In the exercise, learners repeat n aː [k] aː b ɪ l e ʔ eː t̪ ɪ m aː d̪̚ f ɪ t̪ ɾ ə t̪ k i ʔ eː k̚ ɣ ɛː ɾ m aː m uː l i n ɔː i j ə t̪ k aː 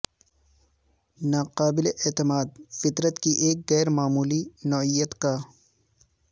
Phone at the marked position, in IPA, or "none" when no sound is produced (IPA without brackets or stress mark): q